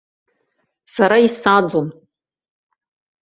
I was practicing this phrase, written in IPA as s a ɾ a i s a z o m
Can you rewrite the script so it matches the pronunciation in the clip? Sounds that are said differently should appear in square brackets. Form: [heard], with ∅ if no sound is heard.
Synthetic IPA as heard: s a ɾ a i s a [d͡z] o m